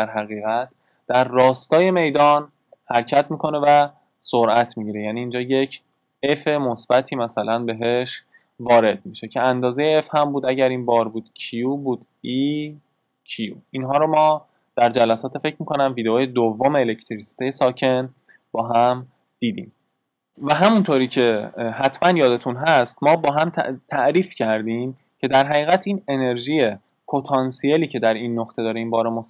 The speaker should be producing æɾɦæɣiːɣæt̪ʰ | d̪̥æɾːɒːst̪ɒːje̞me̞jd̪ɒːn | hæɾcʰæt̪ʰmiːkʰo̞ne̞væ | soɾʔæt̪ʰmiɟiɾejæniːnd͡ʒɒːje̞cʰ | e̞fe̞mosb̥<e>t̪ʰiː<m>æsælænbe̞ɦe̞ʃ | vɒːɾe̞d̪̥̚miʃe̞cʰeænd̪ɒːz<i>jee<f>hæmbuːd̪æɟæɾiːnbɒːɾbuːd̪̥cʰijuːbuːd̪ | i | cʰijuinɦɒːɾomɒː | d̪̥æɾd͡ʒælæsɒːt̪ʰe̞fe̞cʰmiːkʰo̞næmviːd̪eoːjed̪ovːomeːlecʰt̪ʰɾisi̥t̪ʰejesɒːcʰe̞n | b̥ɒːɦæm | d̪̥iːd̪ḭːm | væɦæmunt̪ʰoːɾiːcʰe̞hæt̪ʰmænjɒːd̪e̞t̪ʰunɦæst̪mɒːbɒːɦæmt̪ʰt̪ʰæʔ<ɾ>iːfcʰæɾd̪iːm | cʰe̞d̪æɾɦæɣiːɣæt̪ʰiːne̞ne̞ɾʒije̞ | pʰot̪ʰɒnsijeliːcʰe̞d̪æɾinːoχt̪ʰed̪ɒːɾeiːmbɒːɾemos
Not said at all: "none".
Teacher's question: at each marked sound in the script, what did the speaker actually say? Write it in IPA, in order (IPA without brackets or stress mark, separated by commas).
æ, m, e, f, ɾ